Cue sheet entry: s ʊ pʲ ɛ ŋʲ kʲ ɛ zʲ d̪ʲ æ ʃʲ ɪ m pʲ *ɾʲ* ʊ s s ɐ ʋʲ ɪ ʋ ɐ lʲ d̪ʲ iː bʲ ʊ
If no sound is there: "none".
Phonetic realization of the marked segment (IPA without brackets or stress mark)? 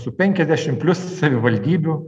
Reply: lʲ